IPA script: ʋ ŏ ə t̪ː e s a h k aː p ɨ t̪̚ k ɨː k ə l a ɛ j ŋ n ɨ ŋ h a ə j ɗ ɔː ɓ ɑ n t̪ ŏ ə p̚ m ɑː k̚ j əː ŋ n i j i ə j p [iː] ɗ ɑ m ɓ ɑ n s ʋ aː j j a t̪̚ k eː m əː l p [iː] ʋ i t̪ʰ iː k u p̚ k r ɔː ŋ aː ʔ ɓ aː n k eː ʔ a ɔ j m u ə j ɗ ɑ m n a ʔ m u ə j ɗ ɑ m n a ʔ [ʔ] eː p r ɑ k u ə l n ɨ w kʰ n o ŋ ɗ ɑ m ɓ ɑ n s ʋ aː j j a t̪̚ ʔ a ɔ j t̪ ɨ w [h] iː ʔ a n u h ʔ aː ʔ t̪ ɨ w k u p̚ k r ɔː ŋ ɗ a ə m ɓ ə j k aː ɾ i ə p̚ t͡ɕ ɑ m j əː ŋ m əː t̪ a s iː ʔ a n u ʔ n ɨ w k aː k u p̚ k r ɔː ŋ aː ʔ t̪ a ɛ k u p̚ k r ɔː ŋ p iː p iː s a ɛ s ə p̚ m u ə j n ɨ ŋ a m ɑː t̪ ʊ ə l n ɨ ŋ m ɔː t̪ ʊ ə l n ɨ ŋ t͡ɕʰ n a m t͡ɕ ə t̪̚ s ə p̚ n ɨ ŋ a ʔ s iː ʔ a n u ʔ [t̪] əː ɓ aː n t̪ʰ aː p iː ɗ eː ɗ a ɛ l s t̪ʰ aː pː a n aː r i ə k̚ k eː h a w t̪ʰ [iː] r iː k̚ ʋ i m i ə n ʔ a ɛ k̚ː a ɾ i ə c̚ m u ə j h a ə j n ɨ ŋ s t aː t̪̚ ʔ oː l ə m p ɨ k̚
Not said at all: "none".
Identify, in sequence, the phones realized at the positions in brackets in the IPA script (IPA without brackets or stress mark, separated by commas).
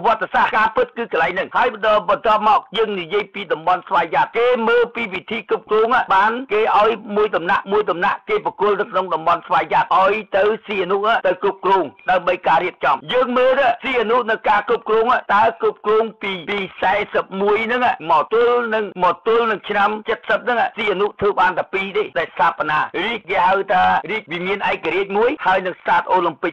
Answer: iː, iː, k, s, t̪ʰ, aː